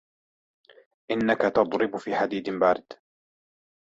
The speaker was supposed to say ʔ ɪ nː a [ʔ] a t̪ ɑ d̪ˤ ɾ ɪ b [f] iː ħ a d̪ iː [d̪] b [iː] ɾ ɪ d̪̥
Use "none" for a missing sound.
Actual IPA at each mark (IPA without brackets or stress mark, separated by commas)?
k, f, d̪, aː